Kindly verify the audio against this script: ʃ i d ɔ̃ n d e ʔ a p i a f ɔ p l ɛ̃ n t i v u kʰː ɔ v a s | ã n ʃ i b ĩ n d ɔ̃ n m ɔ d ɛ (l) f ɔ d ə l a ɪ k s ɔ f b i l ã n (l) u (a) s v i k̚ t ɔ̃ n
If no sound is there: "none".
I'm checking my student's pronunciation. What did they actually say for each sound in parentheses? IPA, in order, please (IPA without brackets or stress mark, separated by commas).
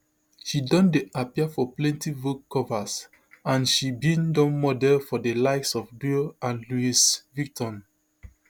l, l, i